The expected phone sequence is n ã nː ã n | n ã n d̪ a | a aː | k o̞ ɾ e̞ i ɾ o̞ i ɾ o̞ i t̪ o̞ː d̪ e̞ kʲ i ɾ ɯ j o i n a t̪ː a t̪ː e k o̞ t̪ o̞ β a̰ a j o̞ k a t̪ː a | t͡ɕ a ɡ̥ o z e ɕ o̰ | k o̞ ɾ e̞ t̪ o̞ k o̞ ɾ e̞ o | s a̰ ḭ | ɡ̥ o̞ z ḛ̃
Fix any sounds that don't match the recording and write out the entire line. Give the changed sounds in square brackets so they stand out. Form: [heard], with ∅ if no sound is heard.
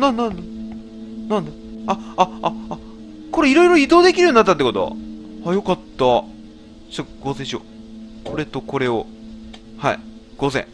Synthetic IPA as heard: n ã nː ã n | n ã n d̪ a | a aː | k o̞ ɾ e̞ i ɾ o̞ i ɾ o̞ i [d̪] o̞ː d̪ e̞ kʲ i ɾ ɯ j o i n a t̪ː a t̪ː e k o̞ t̪ o̞ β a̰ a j o̞ k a t̪ː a | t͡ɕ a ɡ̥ o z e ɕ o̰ | k o̞ ɾ e̞ t̪ o̞ k o̞ ɾ e̞ o | [h] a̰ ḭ | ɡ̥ o̞ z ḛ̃